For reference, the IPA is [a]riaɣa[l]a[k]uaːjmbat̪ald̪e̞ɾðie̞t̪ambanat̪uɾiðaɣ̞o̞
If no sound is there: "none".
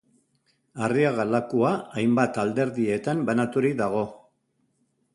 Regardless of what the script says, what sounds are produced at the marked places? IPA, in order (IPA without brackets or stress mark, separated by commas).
a, l, k